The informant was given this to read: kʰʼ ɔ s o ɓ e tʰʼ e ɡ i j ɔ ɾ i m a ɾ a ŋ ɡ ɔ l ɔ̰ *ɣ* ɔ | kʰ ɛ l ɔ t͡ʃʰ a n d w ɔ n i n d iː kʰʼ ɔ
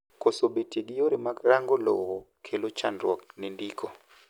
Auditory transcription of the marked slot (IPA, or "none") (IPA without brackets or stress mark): ɣ